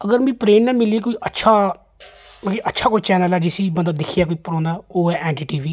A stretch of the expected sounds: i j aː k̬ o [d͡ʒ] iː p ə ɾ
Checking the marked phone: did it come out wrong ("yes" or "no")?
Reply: yes